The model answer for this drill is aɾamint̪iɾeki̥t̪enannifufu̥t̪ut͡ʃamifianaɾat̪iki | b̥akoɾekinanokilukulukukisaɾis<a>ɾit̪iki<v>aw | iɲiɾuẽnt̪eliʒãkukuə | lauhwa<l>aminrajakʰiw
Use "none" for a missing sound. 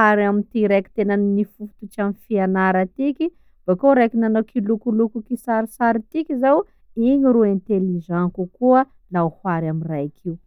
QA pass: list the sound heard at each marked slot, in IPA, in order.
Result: a, z, ɾ

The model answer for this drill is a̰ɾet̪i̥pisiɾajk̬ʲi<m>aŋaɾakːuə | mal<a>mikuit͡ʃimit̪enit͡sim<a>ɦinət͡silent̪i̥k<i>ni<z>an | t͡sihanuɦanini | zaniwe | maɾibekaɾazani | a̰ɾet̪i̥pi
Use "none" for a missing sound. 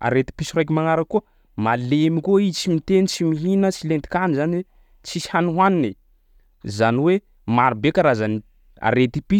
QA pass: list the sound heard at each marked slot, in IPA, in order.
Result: m, e, i, a, z

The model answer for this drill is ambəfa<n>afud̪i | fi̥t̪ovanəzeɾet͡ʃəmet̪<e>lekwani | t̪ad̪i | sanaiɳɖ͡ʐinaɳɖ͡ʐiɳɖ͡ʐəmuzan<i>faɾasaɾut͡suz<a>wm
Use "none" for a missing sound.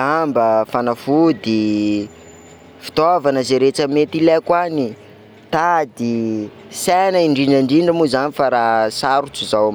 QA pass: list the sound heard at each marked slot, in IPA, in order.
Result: n, i, i, a

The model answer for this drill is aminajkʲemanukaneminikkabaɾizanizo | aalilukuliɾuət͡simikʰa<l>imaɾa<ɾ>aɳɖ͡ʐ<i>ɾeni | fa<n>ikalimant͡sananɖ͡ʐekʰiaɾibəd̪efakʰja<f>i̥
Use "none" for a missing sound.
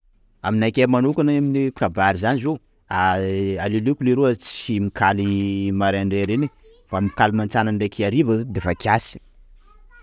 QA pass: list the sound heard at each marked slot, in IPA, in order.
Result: l, none, e, m, s

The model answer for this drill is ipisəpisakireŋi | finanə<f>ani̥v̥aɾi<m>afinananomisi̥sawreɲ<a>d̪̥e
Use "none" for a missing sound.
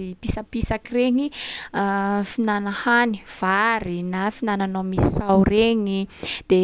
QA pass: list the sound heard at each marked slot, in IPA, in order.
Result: h, n, i

